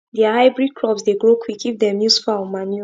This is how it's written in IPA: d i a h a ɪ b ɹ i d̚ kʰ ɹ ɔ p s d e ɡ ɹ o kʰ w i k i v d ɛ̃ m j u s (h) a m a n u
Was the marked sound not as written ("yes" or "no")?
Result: yes